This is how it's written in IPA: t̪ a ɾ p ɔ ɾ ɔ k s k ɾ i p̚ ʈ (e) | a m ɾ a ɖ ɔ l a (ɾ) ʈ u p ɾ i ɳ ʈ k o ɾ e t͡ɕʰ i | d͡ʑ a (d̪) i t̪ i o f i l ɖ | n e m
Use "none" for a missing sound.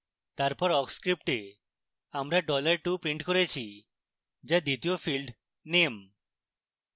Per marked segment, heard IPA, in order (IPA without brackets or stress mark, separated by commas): e, ɾ, d̪